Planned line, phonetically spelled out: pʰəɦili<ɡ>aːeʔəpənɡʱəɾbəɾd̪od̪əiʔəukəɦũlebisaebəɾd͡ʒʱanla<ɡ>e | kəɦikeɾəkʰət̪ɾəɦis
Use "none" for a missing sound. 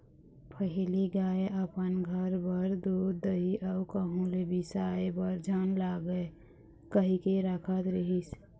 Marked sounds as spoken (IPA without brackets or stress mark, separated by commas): ɡ, ɡ